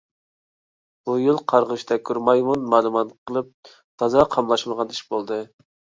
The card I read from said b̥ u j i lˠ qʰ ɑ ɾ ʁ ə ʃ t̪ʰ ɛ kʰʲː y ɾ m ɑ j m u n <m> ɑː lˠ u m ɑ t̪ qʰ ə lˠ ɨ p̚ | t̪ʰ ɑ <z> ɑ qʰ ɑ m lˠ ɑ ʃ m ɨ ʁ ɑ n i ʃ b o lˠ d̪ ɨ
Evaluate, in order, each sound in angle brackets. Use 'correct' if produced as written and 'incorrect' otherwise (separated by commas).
correct, correct